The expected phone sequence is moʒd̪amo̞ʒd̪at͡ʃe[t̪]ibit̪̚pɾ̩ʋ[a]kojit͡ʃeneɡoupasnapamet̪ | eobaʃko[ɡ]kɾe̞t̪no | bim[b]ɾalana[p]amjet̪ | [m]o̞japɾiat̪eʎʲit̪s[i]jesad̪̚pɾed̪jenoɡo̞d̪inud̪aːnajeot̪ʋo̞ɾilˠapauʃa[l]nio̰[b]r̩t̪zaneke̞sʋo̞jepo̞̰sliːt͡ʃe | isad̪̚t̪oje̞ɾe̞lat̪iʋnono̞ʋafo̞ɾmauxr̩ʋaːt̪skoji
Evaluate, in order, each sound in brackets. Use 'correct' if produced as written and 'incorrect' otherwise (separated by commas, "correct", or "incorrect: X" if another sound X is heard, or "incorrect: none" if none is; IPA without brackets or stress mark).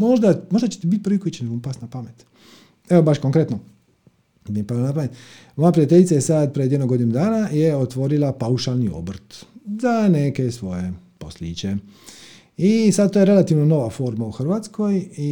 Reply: correct, incorrect: i, incorrect: ŋ, incorrect: p, correct, correct, incorrect: a, correct, correct